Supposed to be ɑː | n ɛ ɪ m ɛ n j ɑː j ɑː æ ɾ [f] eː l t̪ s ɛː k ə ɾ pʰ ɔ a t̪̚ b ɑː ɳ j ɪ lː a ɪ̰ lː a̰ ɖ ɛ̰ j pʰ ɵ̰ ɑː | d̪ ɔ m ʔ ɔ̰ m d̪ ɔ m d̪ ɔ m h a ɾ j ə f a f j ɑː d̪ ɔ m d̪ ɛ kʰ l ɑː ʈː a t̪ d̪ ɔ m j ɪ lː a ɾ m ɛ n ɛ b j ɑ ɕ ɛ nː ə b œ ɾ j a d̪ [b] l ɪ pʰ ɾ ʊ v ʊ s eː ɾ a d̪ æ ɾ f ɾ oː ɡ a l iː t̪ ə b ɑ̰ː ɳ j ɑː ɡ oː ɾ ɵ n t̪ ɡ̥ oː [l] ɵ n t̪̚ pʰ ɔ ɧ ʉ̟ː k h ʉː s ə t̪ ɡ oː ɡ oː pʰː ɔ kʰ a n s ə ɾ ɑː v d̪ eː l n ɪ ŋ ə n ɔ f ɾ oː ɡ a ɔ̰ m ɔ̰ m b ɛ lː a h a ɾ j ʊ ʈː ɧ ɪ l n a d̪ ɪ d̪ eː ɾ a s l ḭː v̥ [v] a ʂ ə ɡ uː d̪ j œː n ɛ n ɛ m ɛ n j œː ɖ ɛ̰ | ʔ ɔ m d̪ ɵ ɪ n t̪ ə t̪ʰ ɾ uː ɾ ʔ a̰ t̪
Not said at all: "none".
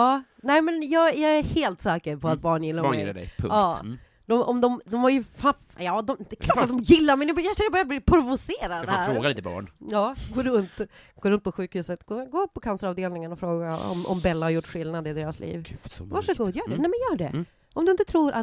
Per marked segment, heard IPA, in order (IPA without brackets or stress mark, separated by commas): h, b, ɾ, v